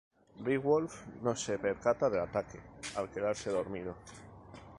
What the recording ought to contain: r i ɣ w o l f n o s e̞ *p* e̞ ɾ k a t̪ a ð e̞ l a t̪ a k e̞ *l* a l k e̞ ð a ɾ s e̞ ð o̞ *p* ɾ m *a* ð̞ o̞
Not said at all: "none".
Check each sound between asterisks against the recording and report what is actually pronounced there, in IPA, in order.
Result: p, none, none, i

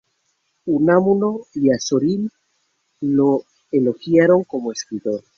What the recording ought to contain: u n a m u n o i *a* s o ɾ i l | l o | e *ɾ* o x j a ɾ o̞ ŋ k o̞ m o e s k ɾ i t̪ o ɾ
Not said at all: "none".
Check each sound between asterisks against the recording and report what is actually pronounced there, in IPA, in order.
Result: a, l

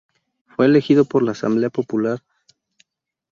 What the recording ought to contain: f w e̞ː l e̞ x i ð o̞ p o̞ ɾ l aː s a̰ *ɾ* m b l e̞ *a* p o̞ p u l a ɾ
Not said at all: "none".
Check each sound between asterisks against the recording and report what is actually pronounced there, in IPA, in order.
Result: none, a

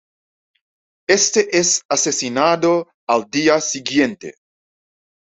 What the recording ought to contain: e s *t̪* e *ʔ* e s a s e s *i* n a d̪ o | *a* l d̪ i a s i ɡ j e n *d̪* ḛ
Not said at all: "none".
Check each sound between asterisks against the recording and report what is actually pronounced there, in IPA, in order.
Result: t̪, ʔ, i, a, t̪

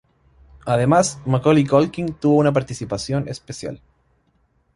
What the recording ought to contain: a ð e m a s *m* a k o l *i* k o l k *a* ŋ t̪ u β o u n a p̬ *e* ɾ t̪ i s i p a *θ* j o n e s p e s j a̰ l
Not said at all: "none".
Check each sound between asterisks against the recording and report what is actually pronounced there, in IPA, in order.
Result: m, i, i, a, s

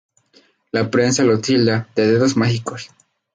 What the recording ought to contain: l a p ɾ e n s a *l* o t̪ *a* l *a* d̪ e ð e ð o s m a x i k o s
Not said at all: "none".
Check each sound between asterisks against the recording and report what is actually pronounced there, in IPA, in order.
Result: l, i, a

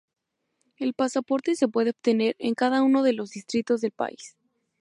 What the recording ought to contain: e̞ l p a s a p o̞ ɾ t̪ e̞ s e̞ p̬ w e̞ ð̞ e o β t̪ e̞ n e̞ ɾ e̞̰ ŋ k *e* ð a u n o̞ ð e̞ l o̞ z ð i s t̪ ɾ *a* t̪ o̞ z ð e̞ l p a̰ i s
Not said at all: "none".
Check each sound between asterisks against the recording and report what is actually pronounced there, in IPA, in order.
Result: a, i

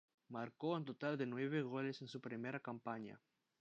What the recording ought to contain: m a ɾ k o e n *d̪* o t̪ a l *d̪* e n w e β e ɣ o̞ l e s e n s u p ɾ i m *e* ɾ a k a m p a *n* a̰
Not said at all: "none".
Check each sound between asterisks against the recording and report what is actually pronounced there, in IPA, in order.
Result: t̪, d̪, e, ɲ

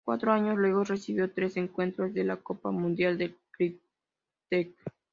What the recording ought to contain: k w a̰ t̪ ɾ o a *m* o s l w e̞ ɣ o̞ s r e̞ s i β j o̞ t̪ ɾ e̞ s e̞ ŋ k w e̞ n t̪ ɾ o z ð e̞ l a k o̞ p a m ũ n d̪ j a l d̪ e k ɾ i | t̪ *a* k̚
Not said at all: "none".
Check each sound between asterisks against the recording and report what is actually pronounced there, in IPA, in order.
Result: ɲ, e

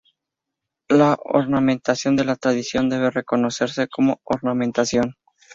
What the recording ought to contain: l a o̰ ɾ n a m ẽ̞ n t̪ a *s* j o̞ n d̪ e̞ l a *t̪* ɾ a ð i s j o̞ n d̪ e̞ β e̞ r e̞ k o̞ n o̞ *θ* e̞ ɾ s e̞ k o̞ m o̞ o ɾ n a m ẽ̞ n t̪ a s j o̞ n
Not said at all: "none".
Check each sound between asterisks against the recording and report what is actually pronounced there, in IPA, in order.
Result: s, t̪, s

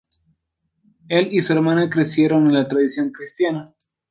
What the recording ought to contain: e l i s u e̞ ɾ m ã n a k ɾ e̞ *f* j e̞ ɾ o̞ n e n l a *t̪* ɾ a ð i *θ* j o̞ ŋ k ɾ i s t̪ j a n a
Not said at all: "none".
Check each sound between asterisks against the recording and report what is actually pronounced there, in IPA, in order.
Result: s, t̪, s

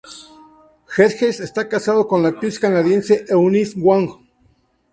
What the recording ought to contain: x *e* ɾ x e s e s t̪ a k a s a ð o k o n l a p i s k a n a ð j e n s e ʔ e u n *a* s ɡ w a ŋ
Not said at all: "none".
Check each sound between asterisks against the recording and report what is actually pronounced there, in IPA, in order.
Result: e, i

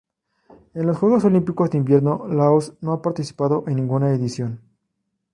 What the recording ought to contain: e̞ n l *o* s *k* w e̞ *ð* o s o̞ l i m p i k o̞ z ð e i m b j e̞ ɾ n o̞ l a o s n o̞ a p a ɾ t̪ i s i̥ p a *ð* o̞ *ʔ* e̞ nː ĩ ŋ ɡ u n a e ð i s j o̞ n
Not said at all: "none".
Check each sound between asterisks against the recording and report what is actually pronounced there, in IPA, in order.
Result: o, x, ɣ, ð, ʔ

